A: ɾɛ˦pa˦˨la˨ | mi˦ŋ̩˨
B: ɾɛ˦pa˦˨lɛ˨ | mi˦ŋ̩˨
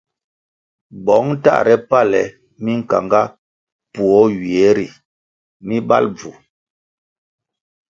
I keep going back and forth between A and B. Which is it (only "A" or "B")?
B